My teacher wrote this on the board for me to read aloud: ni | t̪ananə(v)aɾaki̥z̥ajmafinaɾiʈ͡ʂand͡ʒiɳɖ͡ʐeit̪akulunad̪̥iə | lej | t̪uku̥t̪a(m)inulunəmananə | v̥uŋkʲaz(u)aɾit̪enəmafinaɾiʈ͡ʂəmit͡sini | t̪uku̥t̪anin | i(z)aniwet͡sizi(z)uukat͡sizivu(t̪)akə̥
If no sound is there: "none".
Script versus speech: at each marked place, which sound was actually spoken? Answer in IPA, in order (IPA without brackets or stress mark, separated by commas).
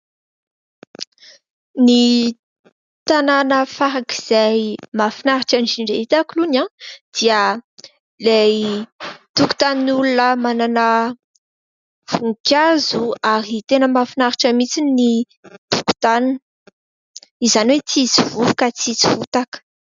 f, n, u, z, v, t̪